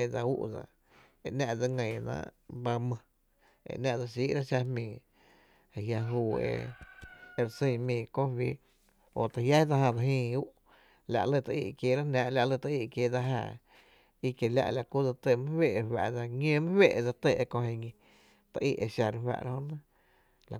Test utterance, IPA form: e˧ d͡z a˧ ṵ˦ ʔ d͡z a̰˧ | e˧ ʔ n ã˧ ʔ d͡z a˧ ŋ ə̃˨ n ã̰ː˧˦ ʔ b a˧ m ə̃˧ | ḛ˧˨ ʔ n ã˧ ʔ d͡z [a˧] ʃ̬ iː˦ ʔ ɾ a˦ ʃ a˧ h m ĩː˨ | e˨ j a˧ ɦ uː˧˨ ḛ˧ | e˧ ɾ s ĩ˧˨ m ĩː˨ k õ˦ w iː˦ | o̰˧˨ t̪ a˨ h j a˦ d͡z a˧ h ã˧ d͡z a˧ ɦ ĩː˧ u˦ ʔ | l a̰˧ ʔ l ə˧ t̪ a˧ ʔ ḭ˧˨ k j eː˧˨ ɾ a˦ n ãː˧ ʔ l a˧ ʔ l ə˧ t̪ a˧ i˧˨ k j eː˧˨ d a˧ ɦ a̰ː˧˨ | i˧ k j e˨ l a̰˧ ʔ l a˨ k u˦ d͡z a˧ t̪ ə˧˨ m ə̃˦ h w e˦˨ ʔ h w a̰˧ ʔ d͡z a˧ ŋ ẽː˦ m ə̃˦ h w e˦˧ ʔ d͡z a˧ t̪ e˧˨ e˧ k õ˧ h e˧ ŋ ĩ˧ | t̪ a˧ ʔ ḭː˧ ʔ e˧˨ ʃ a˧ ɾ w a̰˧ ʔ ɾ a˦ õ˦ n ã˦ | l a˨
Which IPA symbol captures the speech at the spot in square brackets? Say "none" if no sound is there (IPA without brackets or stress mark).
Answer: a˧